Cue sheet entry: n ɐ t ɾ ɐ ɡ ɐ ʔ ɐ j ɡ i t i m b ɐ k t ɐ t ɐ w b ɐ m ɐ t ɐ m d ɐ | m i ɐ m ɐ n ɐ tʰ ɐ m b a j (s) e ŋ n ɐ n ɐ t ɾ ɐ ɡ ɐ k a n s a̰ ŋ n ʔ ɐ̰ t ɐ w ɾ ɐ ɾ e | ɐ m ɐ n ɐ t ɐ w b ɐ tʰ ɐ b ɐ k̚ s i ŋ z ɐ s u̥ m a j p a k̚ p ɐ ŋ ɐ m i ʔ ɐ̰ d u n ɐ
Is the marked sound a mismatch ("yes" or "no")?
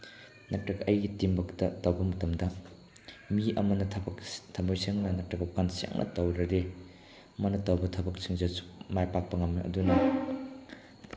no